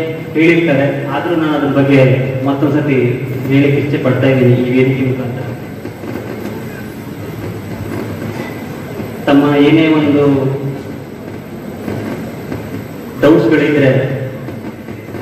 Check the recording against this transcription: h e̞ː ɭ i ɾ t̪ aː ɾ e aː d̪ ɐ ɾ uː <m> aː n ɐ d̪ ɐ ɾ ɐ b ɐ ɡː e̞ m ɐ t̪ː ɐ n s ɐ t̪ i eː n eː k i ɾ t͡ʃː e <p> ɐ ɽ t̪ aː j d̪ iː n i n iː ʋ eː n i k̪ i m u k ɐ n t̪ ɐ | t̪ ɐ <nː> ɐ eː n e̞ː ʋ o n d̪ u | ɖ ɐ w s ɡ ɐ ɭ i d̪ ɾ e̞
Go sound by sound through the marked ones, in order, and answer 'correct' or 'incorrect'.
incorrect: n, correct, incorrect: mː

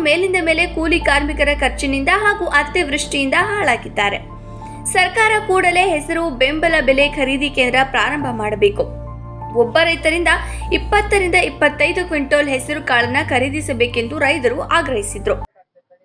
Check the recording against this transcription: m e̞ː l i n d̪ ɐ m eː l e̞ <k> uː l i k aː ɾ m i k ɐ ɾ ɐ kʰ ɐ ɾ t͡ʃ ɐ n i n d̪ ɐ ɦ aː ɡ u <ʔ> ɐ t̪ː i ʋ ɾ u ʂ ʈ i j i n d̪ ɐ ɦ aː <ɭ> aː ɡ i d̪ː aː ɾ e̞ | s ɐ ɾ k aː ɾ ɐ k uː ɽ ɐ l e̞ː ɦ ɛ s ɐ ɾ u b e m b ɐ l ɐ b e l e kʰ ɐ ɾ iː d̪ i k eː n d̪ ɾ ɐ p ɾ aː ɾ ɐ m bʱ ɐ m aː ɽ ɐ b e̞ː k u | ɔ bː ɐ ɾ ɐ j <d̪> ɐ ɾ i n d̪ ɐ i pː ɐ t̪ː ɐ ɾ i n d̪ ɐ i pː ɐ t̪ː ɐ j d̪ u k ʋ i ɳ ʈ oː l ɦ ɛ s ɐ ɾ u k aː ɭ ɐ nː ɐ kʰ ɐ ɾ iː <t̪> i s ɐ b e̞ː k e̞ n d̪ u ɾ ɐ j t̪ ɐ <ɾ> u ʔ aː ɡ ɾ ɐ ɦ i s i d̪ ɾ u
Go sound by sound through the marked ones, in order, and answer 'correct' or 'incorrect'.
correct, correct, correct, incorrect: t̪, incorrect: d̪, correct

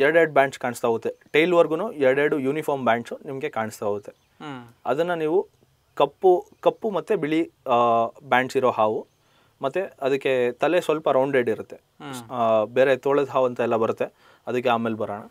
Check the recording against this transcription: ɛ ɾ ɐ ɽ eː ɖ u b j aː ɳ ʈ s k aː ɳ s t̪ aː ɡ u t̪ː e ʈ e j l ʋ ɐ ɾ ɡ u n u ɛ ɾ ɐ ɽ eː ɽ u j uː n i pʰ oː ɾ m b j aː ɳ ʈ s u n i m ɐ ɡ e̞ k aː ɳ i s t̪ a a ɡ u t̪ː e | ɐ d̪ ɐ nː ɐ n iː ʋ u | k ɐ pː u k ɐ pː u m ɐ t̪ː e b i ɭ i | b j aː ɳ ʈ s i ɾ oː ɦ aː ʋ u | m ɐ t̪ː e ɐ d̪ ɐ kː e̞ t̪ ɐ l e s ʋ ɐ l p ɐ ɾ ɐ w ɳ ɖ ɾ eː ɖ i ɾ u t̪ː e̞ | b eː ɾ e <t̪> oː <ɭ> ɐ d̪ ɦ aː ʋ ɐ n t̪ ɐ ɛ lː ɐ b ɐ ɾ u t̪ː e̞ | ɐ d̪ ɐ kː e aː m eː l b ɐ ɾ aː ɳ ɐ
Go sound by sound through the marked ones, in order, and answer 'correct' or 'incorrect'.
correct, correct

